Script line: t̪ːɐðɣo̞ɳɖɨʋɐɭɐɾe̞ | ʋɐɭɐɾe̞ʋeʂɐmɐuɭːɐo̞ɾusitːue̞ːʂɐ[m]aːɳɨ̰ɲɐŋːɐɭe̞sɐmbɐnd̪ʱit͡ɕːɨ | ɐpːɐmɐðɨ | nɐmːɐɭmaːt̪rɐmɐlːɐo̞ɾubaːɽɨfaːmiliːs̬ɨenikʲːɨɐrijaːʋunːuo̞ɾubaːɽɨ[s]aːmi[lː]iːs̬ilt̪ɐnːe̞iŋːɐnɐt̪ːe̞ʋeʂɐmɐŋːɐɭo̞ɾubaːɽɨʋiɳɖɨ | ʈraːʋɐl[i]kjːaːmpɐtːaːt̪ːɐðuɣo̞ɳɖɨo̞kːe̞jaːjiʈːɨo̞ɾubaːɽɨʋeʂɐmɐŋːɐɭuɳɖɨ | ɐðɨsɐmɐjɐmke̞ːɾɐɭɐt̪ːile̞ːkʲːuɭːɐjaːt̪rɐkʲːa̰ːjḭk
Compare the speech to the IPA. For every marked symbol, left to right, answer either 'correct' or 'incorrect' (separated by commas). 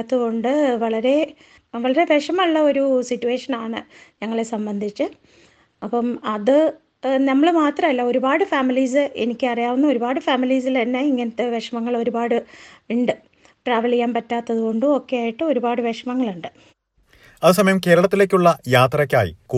incorrect, incorrect, incorrect, correct